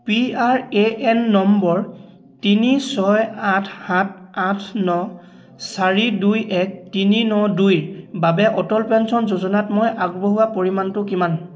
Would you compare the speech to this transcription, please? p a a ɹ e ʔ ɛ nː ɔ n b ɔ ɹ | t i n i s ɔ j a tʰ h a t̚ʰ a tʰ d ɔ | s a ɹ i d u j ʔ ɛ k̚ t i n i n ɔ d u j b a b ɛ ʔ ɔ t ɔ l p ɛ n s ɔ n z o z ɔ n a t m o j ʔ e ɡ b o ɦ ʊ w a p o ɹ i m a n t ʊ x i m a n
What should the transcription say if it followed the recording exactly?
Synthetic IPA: p i a ɹ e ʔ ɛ nː ɔ m b ɔ ɹ | t i n i s ɔ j a tʰ h a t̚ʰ a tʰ n ɔ | s a ɹ i d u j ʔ ɛ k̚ t i n i n ɔ d u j b a b ɛ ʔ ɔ t ɔ l p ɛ n s ɔ n z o z ɔ n a t m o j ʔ a ɡ b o ɦ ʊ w a p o ɹ i m a n t ʊ k i m a n